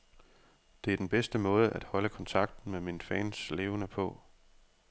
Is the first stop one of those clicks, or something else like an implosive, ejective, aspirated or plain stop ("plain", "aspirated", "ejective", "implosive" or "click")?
plain